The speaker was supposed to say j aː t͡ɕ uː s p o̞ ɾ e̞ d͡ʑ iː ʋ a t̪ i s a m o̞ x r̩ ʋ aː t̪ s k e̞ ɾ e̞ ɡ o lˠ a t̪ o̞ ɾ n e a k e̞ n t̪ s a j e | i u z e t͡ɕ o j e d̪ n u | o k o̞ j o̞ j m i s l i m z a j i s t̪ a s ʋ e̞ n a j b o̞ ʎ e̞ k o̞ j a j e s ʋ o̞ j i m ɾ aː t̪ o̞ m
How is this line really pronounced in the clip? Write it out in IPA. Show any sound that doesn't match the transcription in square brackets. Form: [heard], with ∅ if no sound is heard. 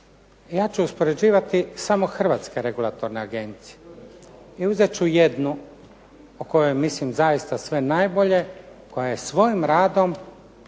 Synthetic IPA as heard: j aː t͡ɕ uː s p o̞ ɾ e̞ d͡ʑ iː ʋ a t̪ i s a m o̞ x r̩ ʋ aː t̪ s k e̞ ɾ e̞ ɡ [u] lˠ a t̪ o̞ ɾ n e a [ɡ] e̞ n t̪ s [i] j e | i u z e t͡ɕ [u] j e d̪ n u | o k o̞ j o̞ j m i s l i m z a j i s t̪ a s ʋ e̞ n a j b o̞ ʎ e̞ k o̞ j a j e s ʋ o̞ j i m ɾ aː [d̪] o̞ m

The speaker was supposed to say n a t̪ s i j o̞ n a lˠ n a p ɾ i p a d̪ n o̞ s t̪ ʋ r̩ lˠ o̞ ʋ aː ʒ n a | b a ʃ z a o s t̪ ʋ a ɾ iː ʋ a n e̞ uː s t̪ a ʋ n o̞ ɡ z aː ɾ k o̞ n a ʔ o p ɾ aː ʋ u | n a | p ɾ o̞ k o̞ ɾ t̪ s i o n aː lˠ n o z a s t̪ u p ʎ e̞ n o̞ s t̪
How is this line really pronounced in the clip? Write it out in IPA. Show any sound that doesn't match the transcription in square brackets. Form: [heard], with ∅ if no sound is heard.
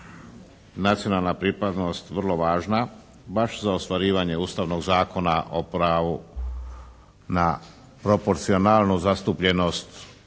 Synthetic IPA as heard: n a t̪ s i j o̞ n a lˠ n a p ɾ i p a d̪ n o̞ s t̪ ʋ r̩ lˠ o̞ ʋ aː ʒ n a | b a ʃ z a o s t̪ ʋ a ɾ iː ʋ a [ɲ] e̞ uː s t̪ a ʋ n o̞ ɡ z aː [∅] k o̞ n a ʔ o p ɾ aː ʋ u | n a | p ɾ o̞ [p] o̞ ɾ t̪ s i o n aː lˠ n [u] z a s t̪ u p ʎ e̞ n o̞ s t̪

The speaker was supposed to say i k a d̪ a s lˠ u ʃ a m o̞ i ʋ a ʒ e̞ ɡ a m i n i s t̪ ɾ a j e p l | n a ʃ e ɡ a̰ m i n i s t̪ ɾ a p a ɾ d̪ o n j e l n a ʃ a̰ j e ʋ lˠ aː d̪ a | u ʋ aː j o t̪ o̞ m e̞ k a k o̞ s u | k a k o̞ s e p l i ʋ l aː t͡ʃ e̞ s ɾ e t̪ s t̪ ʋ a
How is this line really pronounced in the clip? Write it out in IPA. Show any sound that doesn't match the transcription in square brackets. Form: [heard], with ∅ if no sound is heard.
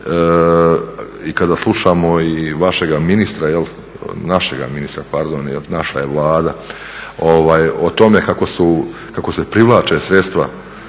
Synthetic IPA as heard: i k a d̪ a s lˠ u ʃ a m o̞ i ʋ a [ʃ] e̞ ɡ a m i n i s t̪ ɾ a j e [∅] l | n a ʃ e ɡ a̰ m i n i s t̪ ɾ a p a ɾ d̪ o n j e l n a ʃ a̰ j e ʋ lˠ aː d̪ a | [o] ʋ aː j o t̪ o̞ m e̞ k a k o̞ s u | k a k o̞ s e p [ɾ] i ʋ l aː t͡ʃ e̞ s ɾ e t̪ s t̪ ʋ a

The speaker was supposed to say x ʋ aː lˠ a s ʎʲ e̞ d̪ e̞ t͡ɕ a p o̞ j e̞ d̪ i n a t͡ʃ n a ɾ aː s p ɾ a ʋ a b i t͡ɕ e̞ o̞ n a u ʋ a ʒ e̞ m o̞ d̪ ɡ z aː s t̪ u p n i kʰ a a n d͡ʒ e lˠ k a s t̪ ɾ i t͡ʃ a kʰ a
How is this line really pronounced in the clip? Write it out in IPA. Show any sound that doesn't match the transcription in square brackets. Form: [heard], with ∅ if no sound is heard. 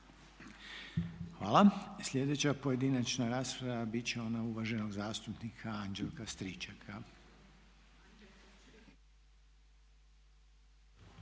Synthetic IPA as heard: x ʋ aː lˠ a s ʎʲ e̞ d̪ e̞ t͡ɕ a p o̞ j e̞ d̪ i n a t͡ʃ n a ɾ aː s p ɾ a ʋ a b i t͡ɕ e̞ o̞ n a u ʋ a ʒ e̞ [n] o̞ [∅] ɡ z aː s t̪ u p n i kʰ a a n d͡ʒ e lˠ k a s t̪ ɾ i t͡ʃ a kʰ a

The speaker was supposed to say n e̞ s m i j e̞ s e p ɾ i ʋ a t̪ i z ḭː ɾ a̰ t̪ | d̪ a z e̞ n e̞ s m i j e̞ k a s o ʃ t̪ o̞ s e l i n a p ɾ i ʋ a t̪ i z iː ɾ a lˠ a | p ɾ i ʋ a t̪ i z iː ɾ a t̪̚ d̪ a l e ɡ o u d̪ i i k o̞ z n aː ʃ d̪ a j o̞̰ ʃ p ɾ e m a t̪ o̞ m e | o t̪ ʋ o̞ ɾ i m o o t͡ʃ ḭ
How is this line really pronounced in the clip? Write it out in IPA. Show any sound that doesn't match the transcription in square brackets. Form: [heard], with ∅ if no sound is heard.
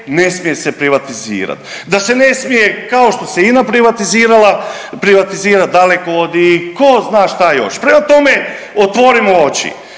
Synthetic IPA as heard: n e̞ s m i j e̞ s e p ɾ i ʋ a t̪ i z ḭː ɾ a̰ t̪ | d̪ a [s] e̞ n e̞ s m i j e̞ k a [∅] o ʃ t̪ o̞ s e [∅] i n a p ɾ i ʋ a t̪ i z iː ɾ a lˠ a | p ɾ i ʋ a t̪ i z iː ɾ a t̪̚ d̪ a l e [k] o [o] d̪ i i k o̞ z n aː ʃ [t̪] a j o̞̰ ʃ p ɾ e m a t̪ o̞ m e | o t̪ ʋ o̞ ɾ i m o o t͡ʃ ḭ

